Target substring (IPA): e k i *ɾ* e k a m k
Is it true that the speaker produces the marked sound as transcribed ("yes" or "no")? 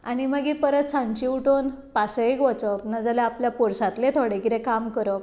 yes